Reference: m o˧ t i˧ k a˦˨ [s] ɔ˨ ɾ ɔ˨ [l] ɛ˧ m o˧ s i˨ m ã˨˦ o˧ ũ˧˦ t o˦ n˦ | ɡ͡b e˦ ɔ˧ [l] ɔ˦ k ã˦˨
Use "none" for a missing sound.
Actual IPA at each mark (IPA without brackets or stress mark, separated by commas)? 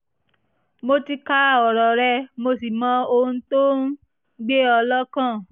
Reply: none, ɾ, l